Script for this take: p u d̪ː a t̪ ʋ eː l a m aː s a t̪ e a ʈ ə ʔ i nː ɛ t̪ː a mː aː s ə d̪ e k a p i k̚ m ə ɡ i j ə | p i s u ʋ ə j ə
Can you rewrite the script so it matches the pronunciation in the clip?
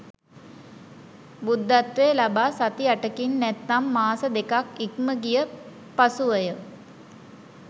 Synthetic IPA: b u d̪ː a t̪ ʋ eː l a b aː s a t̪ i a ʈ ə k i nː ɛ t̪ː a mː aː s ə d̪ e k a k i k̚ m ə ɡ i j ə | p a s u ʋ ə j ə